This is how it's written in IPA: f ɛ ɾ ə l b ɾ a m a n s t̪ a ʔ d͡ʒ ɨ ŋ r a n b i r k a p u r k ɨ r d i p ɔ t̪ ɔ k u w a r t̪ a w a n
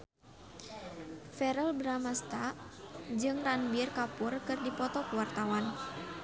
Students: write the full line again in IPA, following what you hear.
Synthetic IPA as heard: f ɛ ɾ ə l b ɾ a m a s t̪ a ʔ d͡ʒ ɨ ŋ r a n b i r k a p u r k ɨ r d i p ɔ t̪ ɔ k u w a r t̪ a w a n